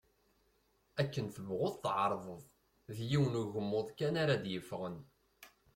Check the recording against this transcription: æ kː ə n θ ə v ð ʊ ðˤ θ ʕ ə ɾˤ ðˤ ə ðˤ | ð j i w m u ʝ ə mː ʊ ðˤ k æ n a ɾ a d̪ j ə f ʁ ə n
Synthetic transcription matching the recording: æ kː ə n θ ə v ʁ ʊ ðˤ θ ʕ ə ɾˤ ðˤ ə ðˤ | ð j i w n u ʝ ə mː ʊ ðˤ k æ n a ɾ a d̪ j ə f ʁ ə n